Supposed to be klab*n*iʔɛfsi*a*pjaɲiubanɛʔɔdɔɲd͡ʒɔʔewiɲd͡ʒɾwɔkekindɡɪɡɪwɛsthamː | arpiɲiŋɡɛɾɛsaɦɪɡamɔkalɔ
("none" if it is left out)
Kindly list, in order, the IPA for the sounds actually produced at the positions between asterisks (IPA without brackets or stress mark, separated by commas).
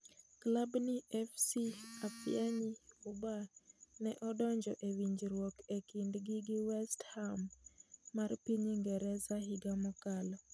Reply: n, a